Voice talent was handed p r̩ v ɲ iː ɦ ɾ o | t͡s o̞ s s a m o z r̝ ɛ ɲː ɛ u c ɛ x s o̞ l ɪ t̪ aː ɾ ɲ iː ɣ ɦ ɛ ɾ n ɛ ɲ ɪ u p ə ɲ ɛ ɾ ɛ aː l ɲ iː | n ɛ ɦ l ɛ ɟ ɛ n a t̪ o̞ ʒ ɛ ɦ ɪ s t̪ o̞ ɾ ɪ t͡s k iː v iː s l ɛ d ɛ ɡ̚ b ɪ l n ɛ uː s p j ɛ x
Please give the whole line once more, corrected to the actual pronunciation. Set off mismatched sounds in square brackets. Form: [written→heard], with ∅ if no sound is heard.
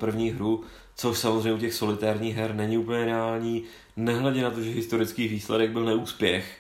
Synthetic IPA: p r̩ v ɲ iː ɦ ɾ [o→u] | t͡s o̞ [s→ʃ] s a m o z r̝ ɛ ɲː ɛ u c ɛ x s o̞ l ɪ t̪ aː ɾ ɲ iː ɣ ɦ ɛ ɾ n ɛ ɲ ɪ u p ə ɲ ɛ ɾ ɛ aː l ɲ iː | n ɛ ɦ l ɛ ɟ ɛ n a t̪ o̞ ʒ ɛ ɦ ɪ s t̪ o̞ ɾ ɪ t͡s k iː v iː s l ɛ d ɛ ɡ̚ b ɪ l n ɛ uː s p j ɛ x